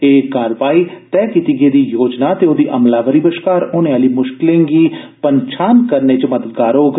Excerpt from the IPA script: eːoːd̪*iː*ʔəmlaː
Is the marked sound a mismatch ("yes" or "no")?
no